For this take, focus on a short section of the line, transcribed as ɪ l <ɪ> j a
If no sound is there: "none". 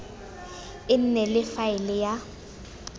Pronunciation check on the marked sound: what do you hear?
ɪ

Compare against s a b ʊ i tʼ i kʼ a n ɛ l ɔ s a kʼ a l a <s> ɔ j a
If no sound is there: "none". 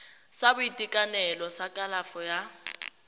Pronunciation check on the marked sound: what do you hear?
f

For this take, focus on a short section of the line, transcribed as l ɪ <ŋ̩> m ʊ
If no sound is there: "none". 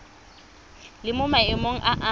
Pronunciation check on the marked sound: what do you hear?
none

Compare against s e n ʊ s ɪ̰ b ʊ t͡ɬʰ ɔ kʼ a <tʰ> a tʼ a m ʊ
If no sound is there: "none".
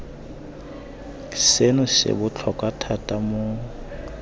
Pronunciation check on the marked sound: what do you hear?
tʰ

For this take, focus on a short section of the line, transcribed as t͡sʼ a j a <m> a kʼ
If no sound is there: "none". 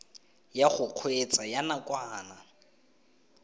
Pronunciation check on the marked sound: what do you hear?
n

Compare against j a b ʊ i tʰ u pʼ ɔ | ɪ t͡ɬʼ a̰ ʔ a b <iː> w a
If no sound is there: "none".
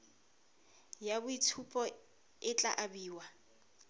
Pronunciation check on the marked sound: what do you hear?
iː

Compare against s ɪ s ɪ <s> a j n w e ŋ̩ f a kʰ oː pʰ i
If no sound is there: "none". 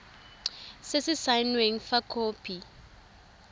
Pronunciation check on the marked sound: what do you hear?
s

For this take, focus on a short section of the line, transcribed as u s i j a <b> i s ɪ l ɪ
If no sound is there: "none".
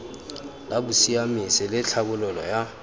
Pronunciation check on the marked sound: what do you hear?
m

